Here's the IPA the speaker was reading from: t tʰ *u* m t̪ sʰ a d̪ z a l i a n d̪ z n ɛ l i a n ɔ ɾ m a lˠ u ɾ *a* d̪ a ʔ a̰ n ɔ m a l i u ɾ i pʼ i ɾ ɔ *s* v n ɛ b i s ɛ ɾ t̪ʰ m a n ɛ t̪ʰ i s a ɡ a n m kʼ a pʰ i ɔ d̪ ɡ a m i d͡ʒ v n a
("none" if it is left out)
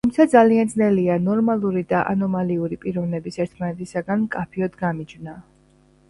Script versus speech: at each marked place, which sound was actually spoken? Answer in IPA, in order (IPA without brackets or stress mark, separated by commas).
u, i, none